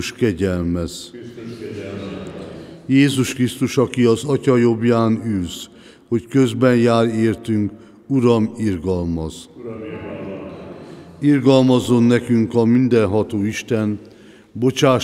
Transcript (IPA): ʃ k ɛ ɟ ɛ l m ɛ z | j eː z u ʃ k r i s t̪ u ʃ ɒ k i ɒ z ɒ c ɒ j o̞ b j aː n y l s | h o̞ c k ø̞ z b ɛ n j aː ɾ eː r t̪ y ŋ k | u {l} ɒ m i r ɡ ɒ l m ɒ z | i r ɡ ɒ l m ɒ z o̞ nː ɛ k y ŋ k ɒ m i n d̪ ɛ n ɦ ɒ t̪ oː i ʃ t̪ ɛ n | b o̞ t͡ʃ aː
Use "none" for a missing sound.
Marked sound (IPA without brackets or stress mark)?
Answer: ɾ